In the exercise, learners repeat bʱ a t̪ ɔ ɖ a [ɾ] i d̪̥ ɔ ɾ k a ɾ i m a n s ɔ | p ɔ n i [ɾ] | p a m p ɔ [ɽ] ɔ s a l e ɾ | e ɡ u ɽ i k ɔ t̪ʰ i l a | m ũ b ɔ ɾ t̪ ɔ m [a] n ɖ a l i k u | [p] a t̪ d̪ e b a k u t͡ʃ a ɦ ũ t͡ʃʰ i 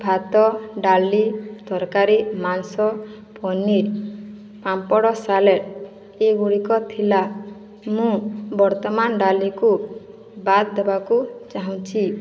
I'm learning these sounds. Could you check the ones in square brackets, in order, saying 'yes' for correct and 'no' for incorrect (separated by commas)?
no, yes, yes, yes, no